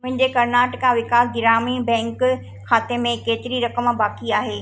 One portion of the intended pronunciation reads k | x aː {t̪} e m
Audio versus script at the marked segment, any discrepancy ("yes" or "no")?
no